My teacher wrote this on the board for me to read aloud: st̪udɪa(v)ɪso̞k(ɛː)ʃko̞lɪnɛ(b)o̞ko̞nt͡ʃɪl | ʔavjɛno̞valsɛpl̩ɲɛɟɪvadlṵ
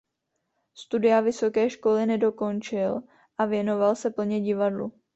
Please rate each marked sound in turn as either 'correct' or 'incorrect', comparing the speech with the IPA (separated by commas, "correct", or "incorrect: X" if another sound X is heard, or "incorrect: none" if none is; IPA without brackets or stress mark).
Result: correct, correct, incorrect: d